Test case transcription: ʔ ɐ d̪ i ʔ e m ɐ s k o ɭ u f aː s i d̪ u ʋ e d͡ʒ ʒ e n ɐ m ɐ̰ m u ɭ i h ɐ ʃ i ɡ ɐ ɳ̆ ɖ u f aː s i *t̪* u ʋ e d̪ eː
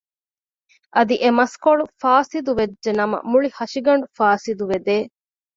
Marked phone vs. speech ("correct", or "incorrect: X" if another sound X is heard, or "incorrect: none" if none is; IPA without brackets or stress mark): incorrect: d̪